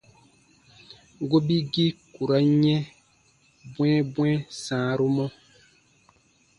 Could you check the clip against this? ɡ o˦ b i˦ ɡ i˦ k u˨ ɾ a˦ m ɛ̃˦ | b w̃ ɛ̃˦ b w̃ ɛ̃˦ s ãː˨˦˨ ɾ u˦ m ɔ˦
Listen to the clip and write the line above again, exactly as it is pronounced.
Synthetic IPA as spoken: ɡ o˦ b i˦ ɡ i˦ k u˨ ɾ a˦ ɲ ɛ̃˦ | b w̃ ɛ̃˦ b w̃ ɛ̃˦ s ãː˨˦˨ ɾ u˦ m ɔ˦